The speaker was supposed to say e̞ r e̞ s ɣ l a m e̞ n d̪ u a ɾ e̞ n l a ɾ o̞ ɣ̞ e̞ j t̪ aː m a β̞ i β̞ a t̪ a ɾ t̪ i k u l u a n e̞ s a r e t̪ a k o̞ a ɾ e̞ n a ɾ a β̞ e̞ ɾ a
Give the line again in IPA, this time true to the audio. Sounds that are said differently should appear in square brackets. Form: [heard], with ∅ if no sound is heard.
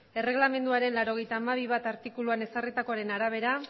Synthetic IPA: e̞ r e̞ [∅] ɣ l a m e̞ n d̪ u a ɾ e̞ n l a ɾ o̞ ɣ̞ e̞ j t̪ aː m a β̞ i β̞ a t̪ a ɾ t̪ i k u l u a n e̞ s a r [i] t̪ a k o̞ a ɾ e̞ n a ɾ a β̞ e̞ ɾ a